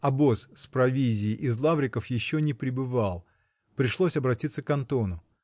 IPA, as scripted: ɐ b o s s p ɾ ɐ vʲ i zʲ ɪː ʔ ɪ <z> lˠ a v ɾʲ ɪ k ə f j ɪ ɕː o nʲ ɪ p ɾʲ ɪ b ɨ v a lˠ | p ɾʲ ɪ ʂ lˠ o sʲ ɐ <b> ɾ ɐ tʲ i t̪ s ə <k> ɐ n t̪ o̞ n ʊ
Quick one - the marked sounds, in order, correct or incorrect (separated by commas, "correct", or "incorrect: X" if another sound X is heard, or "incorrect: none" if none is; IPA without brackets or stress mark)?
correct, correct, correct